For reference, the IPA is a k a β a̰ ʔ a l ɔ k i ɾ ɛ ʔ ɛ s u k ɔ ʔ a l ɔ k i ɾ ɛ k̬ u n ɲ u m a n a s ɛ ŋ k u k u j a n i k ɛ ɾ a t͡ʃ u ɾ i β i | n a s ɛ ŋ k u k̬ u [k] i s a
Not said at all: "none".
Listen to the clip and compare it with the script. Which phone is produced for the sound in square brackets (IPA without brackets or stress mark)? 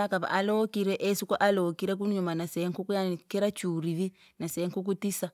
t